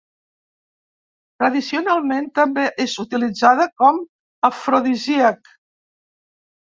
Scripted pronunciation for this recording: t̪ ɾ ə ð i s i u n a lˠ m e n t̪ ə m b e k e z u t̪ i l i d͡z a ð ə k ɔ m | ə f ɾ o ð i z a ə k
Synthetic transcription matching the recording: t̪ ɾ ə ð i s i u n a lˠ m e n t̪ ə m b e ʔ e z u t̪ i l i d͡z a ð ə k ɔ m | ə f ɾ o ð i z i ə k